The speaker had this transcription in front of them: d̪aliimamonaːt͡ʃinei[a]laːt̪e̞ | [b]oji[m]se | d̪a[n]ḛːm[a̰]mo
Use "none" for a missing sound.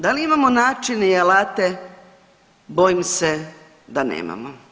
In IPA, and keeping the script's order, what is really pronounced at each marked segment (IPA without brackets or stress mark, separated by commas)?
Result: a, b, m, n, a̰